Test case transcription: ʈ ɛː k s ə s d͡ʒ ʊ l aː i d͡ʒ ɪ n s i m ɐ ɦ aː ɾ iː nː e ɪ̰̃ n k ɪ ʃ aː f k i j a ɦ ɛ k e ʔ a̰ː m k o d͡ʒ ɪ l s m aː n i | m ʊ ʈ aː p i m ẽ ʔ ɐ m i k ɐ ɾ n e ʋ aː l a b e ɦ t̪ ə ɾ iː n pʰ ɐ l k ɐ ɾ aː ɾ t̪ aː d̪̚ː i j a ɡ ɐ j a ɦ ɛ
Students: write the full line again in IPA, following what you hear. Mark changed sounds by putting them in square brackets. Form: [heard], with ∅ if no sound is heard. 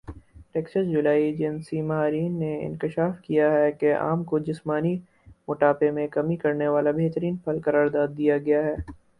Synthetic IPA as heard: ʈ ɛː k s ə s d͡ʒ ʊ l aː i d͡ʒ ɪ n s i m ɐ ɦ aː ɾ iː nː e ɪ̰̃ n k ɪ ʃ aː f k i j a ɦ ɛ k e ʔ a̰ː m k o d͡ʒ ɪ [∅] s m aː n i | m ʊ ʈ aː p [e] m ẽ [k] ɐ m i k ɐ ɾ n e ʋ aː l a b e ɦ t̪ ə ɾ iː n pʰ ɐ l k ɐ ɾ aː ɾ [d̪] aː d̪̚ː i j a ɡ ɐ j a ɦ [ɛː]